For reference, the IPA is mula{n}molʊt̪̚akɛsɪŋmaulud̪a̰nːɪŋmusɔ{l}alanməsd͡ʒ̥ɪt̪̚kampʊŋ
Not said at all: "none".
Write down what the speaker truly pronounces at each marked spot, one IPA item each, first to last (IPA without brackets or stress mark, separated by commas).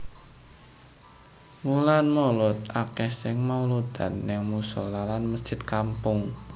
n, l